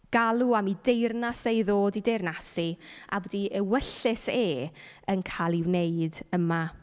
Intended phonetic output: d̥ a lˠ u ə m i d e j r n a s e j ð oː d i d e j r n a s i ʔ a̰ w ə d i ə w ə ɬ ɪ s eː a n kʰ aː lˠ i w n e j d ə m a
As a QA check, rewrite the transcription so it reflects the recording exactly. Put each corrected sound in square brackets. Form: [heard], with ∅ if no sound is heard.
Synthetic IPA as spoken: [ɡ̥] a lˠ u [a] m i d e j r n a s e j ð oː d i d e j r n a s i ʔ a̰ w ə d i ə w ə ɬ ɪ s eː [ə] n kʰ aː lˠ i w n e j d ə m a